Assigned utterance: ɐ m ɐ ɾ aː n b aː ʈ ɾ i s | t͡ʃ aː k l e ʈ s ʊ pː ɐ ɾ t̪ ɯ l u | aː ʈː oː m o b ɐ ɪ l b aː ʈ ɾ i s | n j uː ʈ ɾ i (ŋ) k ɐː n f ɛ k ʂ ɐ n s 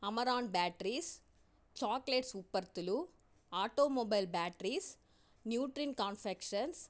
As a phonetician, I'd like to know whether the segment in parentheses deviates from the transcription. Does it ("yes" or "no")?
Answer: yes